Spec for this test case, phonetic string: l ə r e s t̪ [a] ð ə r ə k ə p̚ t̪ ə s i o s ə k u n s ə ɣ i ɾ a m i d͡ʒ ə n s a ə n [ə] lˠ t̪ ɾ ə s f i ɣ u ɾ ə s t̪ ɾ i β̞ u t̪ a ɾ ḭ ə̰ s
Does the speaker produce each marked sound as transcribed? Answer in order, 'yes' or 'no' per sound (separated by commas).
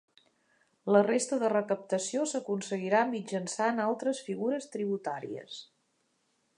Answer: no, no